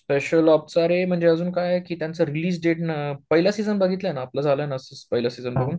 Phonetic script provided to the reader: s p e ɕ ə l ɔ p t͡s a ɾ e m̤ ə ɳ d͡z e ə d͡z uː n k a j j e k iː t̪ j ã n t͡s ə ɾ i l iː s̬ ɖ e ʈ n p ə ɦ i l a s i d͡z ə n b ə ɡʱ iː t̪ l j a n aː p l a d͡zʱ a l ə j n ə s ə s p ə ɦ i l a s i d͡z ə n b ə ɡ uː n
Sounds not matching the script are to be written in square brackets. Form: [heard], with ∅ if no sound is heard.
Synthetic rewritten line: s p e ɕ ə l ɔ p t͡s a ɾ e m̤ ə ɳ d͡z e ə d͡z uː n k a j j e k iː t̪ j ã n t͡s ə ɾ i l iː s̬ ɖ e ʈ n p ə ɦ i l a s i d͡z ə n b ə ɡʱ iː t̪ l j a n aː p l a d͡zʱ a l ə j n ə s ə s p ə ɦ i l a s i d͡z ə n b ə ɡ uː n